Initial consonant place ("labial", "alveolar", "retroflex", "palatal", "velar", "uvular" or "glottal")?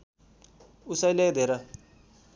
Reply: alveolar